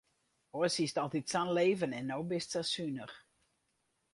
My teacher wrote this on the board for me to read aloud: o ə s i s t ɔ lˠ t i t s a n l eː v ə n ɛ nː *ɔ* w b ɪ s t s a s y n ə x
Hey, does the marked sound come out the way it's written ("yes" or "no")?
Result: no